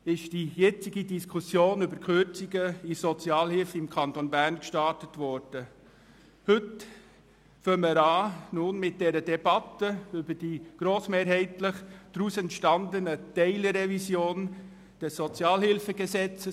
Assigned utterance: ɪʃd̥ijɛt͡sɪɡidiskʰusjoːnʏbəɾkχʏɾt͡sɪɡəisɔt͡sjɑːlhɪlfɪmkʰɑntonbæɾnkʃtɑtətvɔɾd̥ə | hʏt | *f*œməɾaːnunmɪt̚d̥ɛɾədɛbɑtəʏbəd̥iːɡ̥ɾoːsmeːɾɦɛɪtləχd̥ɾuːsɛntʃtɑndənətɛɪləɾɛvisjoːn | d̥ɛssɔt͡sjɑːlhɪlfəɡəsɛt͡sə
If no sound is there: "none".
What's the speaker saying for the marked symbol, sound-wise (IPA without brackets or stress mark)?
f